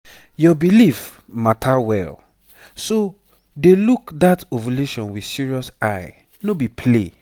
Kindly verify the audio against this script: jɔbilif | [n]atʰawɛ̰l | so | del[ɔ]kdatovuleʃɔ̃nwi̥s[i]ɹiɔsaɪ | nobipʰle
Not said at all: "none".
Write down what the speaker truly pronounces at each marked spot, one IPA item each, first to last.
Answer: m, u, i

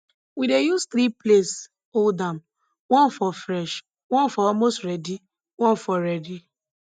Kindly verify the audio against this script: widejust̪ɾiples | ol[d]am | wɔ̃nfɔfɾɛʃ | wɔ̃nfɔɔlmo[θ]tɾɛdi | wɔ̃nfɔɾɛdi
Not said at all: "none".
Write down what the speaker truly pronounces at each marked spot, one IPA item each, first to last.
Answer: d, s

